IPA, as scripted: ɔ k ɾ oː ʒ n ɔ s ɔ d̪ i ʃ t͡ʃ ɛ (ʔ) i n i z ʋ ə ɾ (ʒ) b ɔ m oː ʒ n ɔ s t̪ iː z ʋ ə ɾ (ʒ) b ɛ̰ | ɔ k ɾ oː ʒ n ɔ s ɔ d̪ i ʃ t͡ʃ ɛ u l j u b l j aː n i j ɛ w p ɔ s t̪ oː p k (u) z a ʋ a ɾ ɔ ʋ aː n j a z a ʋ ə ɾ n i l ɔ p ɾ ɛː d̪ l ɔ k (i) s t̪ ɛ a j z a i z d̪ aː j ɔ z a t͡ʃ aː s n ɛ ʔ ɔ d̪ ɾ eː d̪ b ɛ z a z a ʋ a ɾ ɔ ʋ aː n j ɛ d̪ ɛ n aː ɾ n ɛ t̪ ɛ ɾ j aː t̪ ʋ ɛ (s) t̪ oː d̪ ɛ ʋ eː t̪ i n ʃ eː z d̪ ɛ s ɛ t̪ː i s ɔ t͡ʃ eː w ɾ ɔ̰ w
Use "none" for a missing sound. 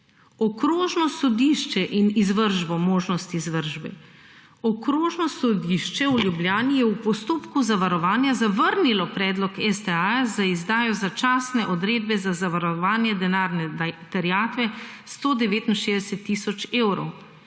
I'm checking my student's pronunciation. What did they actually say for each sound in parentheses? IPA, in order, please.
ʔ, ʒ, ʒ, u, ɛ, s

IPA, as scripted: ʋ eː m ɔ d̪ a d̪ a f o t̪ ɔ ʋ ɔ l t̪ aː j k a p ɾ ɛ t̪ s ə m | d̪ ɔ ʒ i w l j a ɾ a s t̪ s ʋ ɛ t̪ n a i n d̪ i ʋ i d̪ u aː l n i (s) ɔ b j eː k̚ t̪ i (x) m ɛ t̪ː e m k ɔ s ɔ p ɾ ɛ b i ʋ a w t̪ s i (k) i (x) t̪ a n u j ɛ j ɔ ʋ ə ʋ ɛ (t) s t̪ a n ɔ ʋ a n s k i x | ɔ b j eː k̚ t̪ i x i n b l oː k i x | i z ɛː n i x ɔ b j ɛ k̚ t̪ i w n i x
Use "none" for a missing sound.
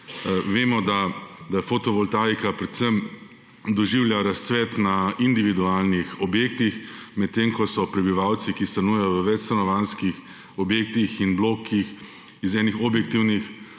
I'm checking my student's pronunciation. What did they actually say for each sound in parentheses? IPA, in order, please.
x, x, k, s, t͡ʃ

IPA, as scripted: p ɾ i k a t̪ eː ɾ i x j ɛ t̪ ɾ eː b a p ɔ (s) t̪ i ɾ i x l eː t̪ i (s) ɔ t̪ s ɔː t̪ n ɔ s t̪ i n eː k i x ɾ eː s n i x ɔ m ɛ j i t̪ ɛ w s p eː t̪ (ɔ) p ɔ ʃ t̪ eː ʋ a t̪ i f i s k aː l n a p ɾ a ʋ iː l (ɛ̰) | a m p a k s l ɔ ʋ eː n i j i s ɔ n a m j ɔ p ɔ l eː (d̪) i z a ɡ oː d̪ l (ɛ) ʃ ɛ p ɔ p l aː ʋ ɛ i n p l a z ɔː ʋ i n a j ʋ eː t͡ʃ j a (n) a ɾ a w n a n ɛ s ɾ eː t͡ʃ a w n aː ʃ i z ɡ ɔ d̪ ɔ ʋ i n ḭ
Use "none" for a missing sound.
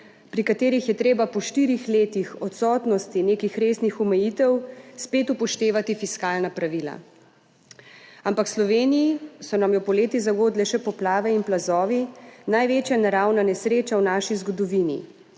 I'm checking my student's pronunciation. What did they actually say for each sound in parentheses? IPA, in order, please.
ʃ, x, u, a̰, t̪, ɛ, n

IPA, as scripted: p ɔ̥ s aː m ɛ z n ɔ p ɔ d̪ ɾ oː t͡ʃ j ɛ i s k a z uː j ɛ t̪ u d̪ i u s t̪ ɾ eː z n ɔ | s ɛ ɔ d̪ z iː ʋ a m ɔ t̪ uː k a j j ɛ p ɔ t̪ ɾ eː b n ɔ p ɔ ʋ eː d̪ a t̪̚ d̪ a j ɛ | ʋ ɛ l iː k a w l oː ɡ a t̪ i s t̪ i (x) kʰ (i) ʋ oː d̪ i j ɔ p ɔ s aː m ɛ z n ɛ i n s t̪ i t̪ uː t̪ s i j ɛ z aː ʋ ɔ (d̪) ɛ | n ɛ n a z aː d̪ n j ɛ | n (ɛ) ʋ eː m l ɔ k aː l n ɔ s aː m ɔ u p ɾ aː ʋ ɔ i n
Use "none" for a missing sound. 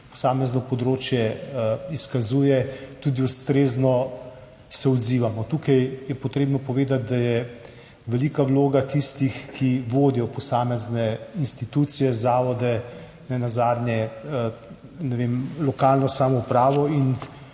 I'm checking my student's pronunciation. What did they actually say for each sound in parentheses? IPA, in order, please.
x, i, d̪, ɛ

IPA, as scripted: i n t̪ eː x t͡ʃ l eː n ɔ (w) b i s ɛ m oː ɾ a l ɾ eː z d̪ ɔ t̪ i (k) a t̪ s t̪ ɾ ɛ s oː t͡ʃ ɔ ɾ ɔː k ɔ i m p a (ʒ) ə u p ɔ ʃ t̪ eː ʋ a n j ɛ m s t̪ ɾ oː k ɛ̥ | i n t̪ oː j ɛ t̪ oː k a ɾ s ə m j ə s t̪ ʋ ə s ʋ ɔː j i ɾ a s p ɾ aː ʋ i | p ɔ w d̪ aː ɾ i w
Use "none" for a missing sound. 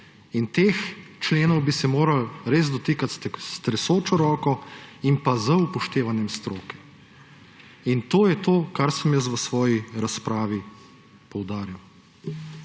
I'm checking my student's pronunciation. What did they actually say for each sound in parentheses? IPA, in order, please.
w, k, z

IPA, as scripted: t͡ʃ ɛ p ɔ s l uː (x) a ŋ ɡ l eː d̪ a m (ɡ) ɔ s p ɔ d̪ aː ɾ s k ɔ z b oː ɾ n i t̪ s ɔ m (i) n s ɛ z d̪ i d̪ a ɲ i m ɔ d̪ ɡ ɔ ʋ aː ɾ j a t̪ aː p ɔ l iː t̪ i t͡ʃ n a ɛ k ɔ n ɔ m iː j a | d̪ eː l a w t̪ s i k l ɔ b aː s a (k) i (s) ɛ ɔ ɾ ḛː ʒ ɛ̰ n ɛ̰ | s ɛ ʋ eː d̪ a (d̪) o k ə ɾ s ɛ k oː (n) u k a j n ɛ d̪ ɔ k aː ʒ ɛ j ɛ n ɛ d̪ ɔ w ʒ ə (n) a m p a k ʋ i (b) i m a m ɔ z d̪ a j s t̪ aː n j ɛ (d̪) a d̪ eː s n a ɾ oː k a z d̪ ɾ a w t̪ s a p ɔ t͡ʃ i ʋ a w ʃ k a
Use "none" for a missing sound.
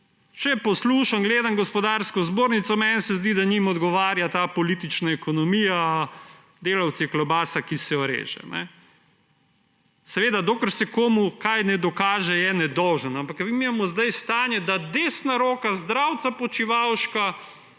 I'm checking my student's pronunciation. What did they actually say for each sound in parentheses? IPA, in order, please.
ʃ, ɡ, ɛ, k, s, d̪, m, n, m, d̪

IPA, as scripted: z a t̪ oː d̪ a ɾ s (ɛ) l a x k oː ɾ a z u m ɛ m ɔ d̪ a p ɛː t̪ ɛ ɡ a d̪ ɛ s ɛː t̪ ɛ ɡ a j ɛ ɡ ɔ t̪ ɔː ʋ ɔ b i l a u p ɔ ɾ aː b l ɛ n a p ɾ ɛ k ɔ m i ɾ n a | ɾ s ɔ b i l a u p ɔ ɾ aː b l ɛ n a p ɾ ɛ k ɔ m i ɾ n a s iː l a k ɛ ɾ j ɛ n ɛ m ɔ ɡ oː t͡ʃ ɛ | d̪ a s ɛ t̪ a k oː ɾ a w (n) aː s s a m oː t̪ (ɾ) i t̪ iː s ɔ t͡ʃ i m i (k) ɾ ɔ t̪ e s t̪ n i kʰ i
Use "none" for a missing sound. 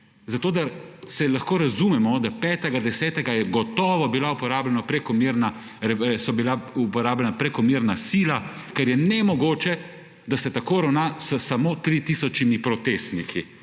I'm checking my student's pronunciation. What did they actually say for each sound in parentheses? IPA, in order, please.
ɛ, n, ɾ, p

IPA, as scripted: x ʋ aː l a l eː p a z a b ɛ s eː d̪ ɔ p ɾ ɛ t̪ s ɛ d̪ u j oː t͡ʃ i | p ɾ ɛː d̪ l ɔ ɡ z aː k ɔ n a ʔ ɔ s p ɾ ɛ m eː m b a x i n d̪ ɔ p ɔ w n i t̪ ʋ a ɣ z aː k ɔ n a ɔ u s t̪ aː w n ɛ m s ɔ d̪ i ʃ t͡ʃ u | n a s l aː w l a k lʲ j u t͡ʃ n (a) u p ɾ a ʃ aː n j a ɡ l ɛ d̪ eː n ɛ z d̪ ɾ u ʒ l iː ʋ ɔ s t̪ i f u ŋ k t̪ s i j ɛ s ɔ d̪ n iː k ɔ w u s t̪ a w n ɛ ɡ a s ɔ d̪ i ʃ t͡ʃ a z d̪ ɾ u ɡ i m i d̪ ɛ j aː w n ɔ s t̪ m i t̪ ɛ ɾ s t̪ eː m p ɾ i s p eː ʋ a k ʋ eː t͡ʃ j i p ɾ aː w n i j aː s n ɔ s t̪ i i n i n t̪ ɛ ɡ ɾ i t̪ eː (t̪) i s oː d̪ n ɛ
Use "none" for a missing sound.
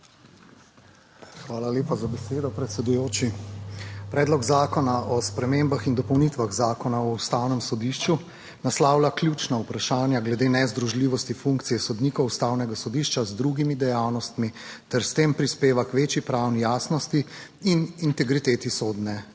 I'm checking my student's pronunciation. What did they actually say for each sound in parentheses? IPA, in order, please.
a, t̪

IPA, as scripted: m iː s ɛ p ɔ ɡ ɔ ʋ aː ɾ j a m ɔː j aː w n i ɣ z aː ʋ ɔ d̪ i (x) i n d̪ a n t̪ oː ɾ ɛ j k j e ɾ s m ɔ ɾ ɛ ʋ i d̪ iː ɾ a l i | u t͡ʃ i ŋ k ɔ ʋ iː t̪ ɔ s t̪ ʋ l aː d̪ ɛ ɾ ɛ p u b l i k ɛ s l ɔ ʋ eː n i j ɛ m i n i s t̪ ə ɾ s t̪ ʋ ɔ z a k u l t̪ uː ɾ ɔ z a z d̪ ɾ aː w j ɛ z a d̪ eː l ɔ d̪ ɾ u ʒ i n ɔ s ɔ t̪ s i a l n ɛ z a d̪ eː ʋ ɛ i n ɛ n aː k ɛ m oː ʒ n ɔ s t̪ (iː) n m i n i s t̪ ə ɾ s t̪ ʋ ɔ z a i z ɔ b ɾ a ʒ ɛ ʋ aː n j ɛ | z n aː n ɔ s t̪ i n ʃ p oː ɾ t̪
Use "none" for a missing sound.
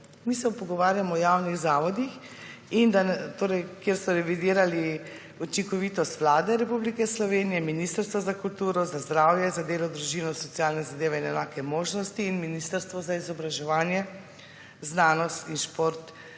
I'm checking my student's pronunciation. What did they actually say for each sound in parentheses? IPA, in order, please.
x, iː

